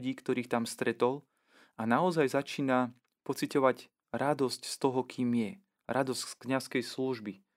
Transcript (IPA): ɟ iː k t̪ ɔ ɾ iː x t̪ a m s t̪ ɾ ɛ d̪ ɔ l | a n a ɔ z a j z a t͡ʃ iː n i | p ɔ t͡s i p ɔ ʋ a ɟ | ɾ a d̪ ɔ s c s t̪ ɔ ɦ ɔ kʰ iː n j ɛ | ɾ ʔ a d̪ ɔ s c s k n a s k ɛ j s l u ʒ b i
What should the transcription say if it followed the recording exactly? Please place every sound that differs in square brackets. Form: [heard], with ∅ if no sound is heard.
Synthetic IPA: ɟ iː k t̪ ɔ ɾ iː x t̪ a m s t̪ ɾ ɛ [t̪] ɔ l | a n a ɔ z a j z a t͡ʃ iː n [a] | p ɔ t͡s i [c] ɔ ʋ a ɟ | ɾ a d̪ ɔ s c s t̪ ɔ ɦ ɔ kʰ iː [m] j ɛ | ɾ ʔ a d̪ ɔ s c s k [ɲ] a s k ɛ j s l u ʒ b i